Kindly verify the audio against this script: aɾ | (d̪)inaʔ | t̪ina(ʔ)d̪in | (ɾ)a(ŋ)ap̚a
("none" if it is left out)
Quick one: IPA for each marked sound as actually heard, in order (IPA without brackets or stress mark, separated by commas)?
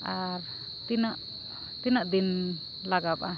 t̪, ʔ, l, ɡ